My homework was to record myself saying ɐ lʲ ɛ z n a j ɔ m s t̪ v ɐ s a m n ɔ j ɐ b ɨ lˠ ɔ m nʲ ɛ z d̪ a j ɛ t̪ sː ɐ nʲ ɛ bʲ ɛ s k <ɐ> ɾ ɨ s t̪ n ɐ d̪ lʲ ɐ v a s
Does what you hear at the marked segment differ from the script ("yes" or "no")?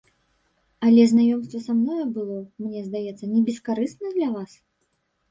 yes